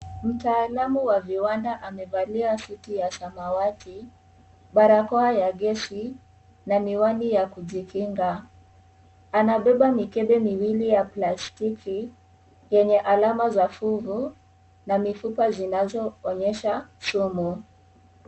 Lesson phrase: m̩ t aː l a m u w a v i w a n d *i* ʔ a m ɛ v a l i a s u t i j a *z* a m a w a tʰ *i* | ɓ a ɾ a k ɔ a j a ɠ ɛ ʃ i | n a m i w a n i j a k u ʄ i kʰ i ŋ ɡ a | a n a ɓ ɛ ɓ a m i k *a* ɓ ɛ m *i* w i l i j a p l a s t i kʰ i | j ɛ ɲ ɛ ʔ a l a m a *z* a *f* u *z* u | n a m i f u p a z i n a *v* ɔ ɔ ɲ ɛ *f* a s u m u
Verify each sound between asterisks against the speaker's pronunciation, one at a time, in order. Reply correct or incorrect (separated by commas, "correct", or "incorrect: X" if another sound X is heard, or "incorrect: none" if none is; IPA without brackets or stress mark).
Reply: incorrect: a, incorrect: s, correct, incorrect: ɛ, correct, correct, correct, incorrect: v, incorrect: z, incorrect: ʃ